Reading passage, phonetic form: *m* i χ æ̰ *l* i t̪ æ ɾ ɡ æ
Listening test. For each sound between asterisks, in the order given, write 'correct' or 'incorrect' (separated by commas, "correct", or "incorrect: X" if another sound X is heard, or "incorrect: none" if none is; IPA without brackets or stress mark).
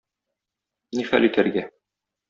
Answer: incorrect: n, correct